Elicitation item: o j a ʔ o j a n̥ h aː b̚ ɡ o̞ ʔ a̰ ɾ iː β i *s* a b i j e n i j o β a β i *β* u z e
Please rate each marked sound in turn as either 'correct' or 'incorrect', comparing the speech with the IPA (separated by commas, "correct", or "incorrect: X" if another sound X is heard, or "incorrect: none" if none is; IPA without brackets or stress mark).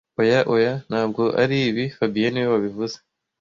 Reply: incorrect: f, incorrect: v